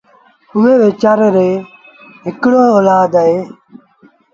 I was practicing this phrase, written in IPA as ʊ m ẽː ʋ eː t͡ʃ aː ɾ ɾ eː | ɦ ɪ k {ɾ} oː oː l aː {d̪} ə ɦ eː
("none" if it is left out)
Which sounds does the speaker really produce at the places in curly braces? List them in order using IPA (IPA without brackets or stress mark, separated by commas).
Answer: ɽ, d̪